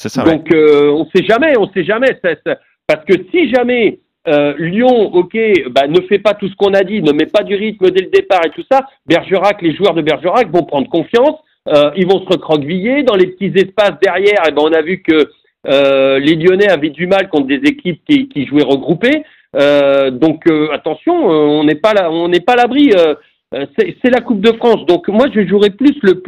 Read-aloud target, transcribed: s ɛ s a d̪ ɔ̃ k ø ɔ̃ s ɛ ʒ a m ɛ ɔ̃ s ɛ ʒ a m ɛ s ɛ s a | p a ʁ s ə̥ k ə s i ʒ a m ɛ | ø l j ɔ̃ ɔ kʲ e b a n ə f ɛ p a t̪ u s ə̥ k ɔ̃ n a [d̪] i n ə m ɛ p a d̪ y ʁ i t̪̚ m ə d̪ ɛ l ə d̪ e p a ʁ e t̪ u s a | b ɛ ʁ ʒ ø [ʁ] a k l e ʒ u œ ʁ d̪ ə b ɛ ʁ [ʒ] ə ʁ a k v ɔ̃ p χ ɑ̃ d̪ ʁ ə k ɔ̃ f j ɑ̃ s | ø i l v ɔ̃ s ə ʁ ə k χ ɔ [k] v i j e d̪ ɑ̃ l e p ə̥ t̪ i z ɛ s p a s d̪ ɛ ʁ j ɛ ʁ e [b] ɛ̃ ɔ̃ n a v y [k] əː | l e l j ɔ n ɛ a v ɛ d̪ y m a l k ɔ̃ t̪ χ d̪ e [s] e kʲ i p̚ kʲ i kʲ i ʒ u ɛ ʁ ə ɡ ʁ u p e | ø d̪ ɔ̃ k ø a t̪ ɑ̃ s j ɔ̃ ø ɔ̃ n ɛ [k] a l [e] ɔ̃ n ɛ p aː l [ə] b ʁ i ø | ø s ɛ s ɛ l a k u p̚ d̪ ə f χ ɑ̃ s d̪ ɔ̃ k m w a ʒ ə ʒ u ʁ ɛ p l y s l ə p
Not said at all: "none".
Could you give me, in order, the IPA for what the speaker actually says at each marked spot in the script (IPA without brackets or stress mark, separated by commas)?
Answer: d̪, ʁ, ʒ, ɡ, b, k, z, p, a, a